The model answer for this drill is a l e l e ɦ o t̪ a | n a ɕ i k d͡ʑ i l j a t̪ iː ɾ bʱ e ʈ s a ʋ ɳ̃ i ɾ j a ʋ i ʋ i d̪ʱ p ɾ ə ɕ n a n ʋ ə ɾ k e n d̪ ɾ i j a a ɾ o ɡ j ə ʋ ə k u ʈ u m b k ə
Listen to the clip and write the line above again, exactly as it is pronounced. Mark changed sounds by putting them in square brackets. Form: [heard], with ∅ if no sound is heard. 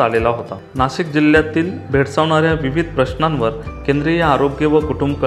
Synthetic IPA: a l e l [a] ɦ o t̪ a | n a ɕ i k d͡ʑ i l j a t̪ iː [l] bʱ e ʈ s a ʋ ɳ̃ [a] ɾ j a ʋ i ʋ i d̪ʱ p ɾ ə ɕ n a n ʋ ə ɾ k e n d̪ ɾ i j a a ɾ o ɡ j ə ʋ ə k u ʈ u m b k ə